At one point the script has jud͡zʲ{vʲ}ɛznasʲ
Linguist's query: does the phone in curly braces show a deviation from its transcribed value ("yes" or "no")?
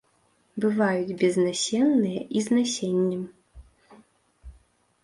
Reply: yes